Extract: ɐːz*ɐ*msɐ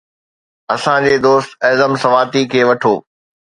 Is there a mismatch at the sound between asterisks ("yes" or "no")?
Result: yes